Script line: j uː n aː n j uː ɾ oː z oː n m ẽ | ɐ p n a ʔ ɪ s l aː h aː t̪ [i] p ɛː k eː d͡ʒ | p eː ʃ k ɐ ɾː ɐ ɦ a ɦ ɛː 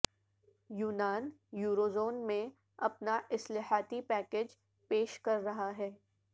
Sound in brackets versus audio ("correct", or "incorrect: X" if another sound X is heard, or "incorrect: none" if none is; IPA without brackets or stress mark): correct